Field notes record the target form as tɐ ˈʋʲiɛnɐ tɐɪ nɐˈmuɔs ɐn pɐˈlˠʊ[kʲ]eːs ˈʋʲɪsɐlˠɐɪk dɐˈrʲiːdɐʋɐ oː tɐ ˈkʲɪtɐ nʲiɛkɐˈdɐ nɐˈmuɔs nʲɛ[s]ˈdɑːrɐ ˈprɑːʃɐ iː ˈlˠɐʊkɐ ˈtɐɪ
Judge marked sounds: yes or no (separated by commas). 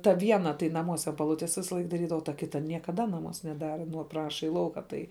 no, no